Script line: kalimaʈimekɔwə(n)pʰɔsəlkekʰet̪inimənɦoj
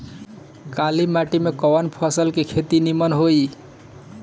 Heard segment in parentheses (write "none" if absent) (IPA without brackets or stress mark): n